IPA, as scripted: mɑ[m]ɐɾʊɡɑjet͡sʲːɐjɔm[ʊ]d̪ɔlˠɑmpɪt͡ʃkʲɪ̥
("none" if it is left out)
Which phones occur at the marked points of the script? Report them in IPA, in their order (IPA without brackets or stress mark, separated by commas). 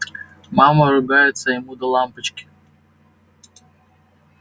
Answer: m, u